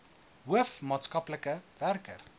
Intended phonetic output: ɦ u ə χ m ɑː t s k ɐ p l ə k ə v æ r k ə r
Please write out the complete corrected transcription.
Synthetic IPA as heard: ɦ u ə f m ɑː t s k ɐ p l ə k ə v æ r k ə r